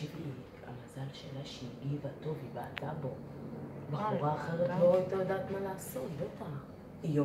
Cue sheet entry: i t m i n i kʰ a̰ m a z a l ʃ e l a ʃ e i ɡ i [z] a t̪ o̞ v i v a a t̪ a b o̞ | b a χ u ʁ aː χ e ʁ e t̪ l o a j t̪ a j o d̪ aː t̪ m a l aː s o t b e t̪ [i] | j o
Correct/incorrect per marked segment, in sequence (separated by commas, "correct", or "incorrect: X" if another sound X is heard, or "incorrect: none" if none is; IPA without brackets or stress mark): incorrect: v, incorrect: a